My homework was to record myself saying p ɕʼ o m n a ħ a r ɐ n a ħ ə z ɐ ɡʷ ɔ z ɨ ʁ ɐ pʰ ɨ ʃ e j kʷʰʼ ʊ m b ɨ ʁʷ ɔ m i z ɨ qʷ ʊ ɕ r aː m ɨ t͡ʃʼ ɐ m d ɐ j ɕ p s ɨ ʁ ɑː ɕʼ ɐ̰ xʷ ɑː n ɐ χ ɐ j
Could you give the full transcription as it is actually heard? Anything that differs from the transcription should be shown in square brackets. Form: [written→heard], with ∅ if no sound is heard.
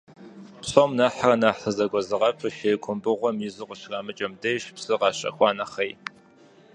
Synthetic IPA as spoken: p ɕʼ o m n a ħ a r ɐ n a ħ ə z ɐ ɡʷ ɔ z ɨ ʁ ɐ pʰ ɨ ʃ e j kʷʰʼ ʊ m b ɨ ʁʷ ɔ m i z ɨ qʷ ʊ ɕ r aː m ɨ t͡ʃʼ ɐ m d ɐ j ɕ p s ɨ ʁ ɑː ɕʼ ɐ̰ xʷ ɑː n ɐ χ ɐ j